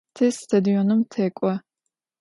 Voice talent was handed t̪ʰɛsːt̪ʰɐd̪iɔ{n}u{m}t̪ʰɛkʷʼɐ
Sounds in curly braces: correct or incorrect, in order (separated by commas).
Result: correct, correct